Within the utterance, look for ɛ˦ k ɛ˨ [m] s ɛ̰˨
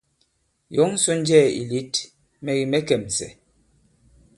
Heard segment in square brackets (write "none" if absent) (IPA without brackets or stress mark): m